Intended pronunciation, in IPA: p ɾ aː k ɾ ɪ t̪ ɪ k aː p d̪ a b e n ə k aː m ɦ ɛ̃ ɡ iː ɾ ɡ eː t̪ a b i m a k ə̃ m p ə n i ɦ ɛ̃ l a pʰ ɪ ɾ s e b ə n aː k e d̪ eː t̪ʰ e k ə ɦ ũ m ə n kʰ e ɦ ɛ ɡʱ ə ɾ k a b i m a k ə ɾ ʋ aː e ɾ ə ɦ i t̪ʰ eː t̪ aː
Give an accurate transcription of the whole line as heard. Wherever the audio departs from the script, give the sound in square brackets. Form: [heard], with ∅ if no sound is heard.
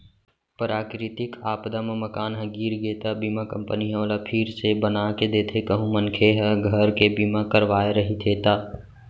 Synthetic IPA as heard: p ɾ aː k ɾ ɪ t̪ ɪ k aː p d̪ a [m] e [m] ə k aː [n] ɦ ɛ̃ ɡ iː ɾ ɡ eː t̪ a b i m a k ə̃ m p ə n i ɦ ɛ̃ l a pʰ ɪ ɾ s e b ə n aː k e d̪ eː t̪ʰ e k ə ɦ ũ m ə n kʰ e ɦ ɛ ɡʱ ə ɾ k [e] b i m a k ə ɾ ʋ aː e ɾ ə ɦ i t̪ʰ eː t̪ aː